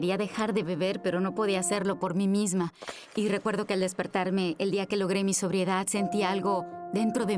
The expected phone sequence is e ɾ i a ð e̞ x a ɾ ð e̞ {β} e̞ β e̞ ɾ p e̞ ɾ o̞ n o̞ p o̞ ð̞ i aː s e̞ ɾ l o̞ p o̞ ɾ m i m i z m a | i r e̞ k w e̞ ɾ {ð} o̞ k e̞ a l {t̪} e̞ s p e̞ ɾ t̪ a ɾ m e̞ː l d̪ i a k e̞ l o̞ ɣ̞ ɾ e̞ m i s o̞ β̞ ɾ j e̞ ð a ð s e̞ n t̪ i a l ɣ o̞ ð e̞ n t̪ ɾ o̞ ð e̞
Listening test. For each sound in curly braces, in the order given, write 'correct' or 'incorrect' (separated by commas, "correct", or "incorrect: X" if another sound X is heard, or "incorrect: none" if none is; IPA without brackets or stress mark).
correct, correct, incorrect: d̪